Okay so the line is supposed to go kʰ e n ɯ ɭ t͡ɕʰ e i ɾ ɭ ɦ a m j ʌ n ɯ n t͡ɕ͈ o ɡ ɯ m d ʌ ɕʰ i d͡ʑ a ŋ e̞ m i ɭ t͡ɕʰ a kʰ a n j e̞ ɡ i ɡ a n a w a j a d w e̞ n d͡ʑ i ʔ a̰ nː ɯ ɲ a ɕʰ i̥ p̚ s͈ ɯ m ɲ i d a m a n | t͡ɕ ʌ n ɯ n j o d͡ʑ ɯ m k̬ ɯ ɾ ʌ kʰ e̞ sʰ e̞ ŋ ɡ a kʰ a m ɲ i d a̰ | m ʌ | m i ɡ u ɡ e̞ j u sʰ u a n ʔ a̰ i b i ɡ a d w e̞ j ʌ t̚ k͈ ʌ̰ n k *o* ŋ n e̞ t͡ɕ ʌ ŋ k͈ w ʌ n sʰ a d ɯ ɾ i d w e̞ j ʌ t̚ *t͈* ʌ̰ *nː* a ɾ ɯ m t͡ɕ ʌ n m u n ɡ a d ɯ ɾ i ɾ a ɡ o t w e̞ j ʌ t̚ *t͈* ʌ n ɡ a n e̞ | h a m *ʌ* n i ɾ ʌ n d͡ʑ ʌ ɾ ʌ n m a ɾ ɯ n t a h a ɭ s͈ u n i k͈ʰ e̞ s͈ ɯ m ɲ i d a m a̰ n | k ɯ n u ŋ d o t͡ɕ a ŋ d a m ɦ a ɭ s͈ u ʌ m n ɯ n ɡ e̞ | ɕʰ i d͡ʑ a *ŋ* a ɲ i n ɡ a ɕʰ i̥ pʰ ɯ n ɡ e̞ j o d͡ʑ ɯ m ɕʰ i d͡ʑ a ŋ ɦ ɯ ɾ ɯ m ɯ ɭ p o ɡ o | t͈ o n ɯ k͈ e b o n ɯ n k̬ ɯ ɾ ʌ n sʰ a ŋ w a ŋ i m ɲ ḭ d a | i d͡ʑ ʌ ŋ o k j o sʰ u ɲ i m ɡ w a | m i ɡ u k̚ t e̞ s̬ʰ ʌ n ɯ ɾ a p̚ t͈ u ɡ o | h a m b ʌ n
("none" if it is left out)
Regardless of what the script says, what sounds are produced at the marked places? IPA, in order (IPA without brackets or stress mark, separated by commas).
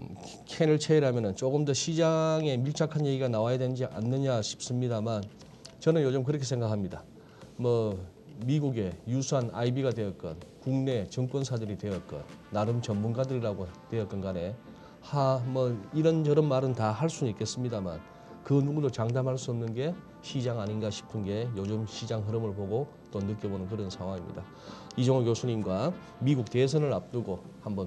u, k͈, nː, k͈, ʌ, ŋ